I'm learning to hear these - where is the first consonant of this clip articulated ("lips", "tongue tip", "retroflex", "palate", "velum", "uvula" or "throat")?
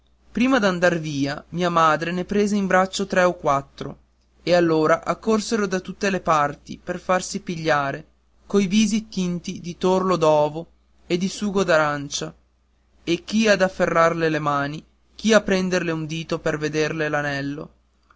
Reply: lips